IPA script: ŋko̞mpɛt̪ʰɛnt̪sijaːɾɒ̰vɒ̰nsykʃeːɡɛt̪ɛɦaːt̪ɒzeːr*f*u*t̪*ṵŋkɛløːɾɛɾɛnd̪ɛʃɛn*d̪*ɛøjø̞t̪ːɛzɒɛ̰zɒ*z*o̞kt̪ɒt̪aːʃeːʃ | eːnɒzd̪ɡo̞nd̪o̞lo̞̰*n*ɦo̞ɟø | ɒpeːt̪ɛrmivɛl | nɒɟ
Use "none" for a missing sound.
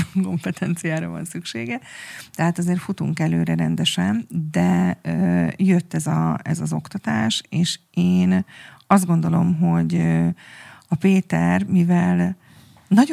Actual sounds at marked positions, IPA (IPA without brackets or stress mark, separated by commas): f, t̪, d̪, z, m